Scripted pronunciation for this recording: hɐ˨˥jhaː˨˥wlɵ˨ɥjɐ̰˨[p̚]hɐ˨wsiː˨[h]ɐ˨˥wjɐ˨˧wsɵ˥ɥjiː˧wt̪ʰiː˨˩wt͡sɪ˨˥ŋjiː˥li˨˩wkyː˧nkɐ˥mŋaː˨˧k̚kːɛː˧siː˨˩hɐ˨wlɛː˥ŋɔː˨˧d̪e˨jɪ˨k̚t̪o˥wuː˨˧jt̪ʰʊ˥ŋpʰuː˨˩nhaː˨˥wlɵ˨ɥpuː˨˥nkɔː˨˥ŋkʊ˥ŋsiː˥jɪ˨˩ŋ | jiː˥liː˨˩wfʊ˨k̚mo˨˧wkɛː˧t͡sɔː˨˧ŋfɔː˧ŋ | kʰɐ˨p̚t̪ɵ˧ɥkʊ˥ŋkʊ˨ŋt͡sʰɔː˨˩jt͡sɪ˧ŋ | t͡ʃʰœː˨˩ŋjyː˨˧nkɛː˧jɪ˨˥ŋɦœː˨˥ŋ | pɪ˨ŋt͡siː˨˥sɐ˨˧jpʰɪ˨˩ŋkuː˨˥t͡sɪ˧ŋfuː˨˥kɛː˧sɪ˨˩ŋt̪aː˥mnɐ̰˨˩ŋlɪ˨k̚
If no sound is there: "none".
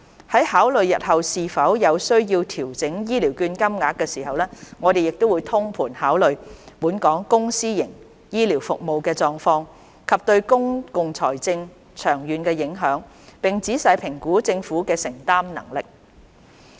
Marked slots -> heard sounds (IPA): t̚, f

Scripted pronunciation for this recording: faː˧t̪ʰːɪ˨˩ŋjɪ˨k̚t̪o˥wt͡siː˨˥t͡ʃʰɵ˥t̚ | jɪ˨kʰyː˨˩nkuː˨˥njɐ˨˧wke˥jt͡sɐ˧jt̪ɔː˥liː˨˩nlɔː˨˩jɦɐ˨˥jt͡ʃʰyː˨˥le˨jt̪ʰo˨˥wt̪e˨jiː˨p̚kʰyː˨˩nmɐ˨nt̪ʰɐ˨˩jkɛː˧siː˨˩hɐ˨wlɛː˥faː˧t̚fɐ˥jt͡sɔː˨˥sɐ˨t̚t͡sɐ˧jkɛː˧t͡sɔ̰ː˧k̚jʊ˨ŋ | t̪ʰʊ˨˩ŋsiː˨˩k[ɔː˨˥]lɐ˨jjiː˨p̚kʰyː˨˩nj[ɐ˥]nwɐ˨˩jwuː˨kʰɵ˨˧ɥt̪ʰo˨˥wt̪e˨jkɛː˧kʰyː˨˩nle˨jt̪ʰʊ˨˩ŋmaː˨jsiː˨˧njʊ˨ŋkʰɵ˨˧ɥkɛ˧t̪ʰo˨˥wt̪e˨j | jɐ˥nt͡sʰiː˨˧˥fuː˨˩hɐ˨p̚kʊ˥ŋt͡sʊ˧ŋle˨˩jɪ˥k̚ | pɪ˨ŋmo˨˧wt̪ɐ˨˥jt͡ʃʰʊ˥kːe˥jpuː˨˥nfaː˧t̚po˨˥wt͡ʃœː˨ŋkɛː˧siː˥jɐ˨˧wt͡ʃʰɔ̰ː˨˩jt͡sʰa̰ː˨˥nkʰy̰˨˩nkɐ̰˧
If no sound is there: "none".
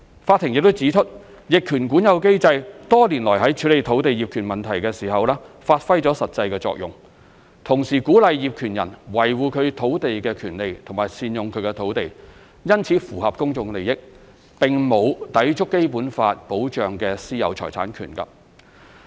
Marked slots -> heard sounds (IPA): uː˨˥, ɐ˨˩

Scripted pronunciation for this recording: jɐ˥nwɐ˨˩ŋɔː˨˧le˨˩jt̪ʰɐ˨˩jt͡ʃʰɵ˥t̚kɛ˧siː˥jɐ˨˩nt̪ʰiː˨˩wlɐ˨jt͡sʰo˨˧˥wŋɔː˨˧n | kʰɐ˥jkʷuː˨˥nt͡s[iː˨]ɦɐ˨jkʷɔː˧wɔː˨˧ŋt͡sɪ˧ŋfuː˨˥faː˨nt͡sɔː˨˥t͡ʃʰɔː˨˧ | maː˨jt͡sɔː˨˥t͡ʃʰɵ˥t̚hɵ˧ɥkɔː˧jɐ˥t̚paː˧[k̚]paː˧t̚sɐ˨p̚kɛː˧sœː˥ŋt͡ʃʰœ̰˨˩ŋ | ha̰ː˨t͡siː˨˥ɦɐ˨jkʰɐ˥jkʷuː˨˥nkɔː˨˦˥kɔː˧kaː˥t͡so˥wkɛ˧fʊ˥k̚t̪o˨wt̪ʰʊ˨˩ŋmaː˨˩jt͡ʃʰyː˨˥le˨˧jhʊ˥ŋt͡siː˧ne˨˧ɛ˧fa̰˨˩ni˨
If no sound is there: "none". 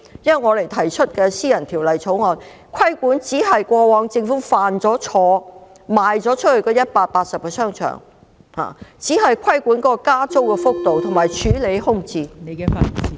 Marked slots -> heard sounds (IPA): iː˨˥, t̚

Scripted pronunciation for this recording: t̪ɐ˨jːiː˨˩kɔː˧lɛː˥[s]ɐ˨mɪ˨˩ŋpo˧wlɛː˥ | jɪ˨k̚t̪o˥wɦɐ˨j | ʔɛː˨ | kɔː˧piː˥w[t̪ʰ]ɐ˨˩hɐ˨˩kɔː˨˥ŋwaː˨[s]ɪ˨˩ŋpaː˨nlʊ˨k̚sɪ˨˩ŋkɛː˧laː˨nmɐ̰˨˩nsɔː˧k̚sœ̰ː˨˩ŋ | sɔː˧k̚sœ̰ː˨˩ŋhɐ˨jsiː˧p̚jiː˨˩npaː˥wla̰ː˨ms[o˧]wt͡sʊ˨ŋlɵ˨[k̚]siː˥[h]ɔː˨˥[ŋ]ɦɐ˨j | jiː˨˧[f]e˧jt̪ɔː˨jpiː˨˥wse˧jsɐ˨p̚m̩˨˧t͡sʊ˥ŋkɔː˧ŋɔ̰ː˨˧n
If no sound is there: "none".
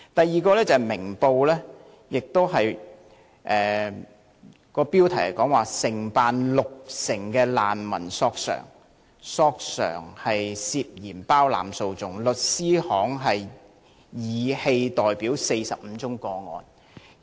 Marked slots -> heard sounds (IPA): t͡s, t̪ʰ, s, o˧, t̚, h, ŋ, h

